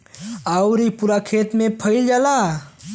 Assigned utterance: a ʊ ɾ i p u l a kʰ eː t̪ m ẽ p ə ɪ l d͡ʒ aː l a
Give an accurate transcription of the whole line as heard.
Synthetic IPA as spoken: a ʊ ɾ i p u ɾ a kʰ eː t̪ m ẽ pʰ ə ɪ l d͡ʒ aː l a